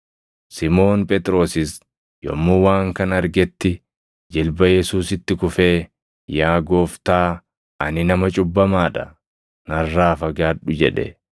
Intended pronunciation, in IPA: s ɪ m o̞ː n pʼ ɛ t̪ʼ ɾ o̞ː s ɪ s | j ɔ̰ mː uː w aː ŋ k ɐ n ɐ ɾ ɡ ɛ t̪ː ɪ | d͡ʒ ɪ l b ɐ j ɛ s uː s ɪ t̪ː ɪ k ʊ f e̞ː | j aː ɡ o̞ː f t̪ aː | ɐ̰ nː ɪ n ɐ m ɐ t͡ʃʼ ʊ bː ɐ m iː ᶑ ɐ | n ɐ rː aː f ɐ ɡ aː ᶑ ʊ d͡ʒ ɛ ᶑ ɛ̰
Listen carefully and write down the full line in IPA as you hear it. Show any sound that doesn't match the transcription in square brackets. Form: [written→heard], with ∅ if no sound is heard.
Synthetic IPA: s ɪ m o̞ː n pʼ ɛ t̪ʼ ɾ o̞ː s ɪ s | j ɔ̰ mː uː w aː ŋ k ɐ n ɐ ɾ ɡ ɛ t̪ː ɪ | d͡ʒ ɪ l b ɐ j ɛ s uː s ɪ t̪ː ɪ k ʊ f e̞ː | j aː ɡ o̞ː f t̪ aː | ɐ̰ [nː→n] ɪ n ɐ m ɐ t͡ʃʼ ʊ bː ɐ m [iː→aː] ᶑ ɐ | n ɐ rː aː f ɐ ɡ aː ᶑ ʊ d͡ʒ ɛ ᶑ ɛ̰

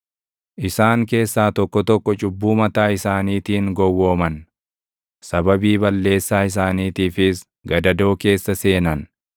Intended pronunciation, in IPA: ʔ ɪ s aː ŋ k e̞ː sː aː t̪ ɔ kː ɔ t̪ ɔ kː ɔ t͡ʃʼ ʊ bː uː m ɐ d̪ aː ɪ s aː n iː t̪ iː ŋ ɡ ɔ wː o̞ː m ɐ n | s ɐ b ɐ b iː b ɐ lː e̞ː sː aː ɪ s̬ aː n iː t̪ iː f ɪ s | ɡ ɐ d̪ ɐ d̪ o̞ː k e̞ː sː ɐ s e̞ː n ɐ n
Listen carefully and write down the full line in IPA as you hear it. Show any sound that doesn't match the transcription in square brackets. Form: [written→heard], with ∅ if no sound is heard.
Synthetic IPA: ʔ ɪ s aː ŋ k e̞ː sː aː t̪ ɔ kː ɔ t̪ ɔ kː ɔ t͡ʃʼ ʊ bː uː m ɐ [d̪→t̪] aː ɪ s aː n iː t̪ iː ŋ ɡ ɔ wː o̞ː m ɐ n | s ɐ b ɐ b iː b ɐ lː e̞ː sː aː ɪ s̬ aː n iː t̪ iː f ɪ s | ɡ ɐ d̪ ɐ d̪ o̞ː k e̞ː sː ɐ s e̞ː n ɐ n

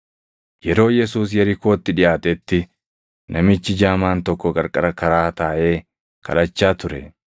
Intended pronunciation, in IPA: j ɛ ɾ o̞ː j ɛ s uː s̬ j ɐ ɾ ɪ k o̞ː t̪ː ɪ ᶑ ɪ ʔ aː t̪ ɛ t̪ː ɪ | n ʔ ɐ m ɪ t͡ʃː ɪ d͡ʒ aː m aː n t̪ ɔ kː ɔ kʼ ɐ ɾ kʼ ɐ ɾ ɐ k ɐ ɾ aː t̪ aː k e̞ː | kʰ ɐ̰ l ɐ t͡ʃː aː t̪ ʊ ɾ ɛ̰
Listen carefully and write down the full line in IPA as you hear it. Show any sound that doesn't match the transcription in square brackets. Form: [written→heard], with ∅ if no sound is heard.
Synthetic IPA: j ɛ ɾ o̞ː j ɛ s uː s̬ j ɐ ɾ ɪ k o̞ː t̪ː ɪ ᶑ ɪ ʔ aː t̪ ɛ t̪ː ɪ | n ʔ ɐ m ɪ t͡ʃː ɪ d͡ʒ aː m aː n t̪ ɔ kː ɔ kʼ ɐ ɾ kʼ ɐ ɾ ɐ k ɐ ɾ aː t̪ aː [k→ʔ] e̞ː | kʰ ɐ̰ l ɐ t͡ʃː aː t̪ ʊ ɾ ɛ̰

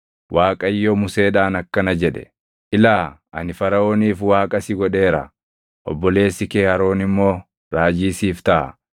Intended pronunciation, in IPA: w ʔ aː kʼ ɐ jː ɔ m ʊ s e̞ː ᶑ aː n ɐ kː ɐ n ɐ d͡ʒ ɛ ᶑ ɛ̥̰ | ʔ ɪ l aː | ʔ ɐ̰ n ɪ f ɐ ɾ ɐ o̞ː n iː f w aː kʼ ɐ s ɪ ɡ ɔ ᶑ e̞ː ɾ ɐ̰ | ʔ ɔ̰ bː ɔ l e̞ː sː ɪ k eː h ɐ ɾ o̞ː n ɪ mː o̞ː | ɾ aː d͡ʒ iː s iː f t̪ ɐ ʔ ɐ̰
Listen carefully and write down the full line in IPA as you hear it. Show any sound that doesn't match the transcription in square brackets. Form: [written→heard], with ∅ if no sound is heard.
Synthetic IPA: w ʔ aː kʼ ɐ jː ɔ m ʊ s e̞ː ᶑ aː n ɐ kː ɐ n ɐ d͡ʒ ɛ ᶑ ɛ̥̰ | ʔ ɪ l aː | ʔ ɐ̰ n ɪ f ɐ ɾ ɐ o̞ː n iː f w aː kʼ ɐ s ɪ ɡ ɔ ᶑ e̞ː ɾ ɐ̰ | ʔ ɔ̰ bː ɔ l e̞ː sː ɪ k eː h ɐ ɾ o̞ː n ɪ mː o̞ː | ɾ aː d͡ʒ iː s iː f t̪ ɐ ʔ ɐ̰

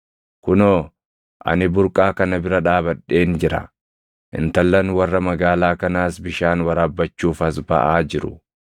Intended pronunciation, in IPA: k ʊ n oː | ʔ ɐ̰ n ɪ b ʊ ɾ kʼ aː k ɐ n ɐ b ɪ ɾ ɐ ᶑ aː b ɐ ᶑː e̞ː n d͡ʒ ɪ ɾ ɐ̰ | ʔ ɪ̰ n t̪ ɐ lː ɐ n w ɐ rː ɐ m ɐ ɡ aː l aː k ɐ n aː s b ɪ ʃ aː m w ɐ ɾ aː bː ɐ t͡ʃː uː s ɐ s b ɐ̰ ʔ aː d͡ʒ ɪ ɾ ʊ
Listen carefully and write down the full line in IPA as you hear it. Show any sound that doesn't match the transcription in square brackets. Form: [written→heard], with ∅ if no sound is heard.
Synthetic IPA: k ʊ n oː | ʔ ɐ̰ n ɪ b ʊ ɾ kʼ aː k ɐ n ɐ b ɪ ɾ ɐ ᶑ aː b ɐ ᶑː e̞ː n d͡ʒ ɪ ɾ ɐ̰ | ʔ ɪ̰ n t̪ ɐ lː ɐ n w ɐ rː ɐ m ɐ ɡ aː l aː k ɐ n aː s b ɪ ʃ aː [m→n] w ɐ ɾ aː bː ɐ t͡ʃː uː [s→f] ɐ s b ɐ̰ ʔ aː d͡ʒ ɪ ɾ ʊ

